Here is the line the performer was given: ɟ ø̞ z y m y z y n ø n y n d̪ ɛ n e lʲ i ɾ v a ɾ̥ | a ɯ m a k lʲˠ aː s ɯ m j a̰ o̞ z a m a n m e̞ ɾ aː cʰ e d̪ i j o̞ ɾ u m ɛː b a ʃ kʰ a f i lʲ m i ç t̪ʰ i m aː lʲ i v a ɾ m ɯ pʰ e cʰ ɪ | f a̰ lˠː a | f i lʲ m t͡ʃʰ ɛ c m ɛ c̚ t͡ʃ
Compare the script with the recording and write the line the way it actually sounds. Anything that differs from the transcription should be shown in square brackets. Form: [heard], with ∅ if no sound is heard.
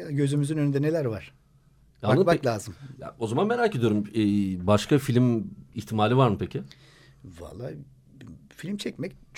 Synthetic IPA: ɟ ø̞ z y m y z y n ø n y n d̪ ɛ n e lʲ [æ] ɾ v a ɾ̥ | a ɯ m a k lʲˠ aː [z] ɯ m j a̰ o̞ z a m a n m e̞ ɾ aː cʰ e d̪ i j o̞ ɾ u m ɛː b a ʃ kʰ a f i lʲ m i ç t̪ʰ i m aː lʲ i v a ɾ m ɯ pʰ e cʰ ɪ | [v] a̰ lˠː a | f i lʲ m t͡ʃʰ ɛ c m ɛ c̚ t͡ʃ